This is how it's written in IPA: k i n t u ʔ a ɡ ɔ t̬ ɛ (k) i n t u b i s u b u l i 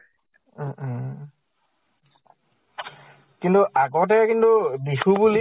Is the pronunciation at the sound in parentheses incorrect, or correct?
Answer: correct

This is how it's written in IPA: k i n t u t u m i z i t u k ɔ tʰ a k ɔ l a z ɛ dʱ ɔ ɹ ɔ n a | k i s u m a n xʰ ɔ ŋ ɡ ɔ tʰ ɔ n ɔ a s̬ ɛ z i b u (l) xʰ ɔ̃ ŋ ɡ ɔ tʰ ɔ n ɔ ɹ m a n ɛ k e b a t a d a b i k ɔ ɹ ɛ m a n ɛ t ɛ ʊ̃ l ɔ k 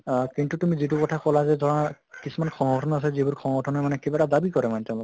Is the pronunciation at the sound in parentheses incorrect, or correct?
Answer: incorrect: ɹ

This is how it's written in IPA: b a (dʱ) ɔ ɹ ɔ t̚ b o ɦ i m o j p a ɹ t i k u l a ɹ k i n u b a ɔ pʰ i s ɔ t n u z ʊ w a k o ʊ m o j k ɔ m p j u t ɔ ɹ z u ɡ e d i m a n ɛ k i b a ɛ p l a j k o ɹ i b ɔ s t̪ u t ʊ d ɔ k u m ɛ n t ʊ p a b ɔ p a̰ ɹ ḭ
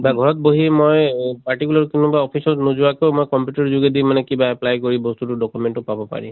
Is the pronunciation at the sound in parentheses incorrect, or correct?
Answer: incorrect: ɡʱ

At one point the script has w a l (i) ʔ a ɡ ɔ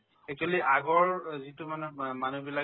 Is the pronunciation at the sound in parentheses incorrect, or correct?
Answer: correct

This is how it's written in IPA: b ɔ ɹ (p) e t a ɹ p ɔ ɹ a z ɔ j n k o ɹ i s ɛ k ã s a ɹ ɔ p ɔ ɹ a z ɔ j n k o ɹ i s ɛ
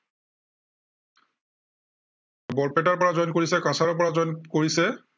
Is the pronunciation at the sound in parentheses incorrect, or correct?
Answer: correct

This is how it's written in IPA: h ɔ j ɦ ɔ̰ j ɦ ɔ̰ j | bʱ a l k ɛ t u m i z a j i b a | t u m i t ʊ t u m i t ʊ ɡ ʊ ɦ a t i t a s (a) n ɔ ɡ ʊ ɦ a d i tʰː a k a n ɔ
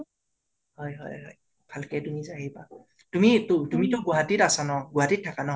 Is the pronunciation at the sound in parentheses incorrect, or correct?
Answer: correct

